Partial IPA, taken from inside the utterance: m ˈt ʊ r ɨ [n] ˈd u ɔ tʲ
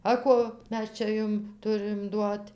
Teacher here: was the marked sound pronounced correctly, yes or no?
no